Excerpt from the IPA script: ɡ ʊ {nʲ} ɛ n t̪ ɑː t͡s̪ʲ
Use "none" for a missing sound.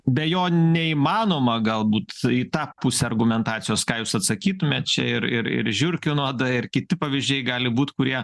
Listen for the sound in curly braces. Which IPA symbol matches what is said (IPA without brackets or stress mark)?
mʲ